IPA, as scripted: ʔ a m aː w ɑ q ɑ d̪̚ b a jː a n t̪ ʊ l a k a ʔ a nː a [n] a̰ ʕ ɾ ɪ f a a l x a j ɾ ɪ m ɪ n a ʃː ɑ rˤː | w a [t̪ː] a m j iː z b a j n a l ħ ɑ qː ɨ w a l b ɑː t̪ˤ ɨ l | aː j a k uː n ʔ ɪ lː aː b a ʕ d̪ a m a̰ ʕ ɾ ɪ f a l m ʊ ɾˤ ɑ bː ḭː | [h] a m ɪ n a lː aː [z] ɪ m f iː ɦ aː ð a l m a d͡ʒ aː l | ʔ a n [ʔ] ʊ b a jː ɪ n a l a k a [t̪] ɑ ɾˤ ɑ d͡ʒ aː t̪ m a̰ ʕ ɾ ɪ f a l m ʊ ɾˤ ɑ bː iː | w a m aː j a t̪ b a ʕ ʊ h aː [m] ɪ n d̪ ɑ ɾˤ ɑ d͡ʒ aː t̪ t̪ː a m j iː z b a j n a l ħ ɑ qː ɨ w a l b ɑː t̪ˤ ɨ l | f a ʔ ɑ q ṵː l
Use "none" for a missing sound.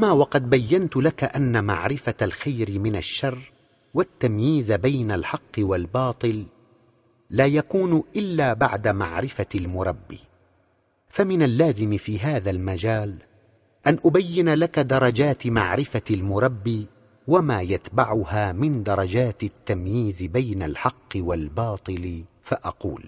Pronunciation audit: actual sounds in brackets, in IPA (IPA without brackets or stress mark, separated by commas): m, t̪ː, f, z, ʔ, d̪, m